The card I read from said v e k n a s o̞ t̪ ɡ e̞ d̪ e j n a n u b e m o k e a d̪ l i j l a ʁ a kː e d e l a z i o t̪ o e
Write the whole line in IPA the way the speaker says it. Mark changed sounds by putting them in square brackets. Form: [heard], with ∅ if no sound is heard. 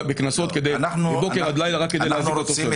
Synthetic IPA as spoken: [b] e k n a s o̞ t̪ [k] e̞ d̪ e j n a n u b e [b] o k e a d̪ l [a] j l a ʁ a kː e d e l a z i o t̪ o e